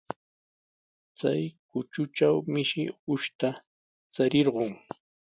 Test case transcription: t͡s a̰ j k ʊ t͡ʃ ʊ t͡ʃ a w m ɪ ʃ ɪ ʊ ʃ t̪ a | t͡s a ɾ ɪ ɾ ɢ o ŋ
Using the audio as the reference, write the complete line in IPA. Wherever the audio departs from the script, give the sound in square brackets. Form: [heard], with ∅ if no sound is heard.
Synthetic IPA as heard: t͡s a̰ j k ʊ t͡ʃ ʊ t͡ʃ a w m ɪ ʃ ɪ ʊ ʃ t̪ a | t͡s a ɾ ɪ ɾ ɢ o ŋ